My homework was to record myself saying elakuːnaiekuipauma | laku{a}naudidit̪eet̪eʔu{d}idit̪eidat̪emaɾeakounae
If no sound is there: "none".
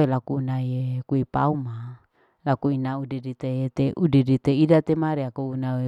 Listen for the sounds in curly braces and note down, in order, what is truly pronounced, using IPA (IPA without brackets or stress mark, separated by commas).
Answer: i, d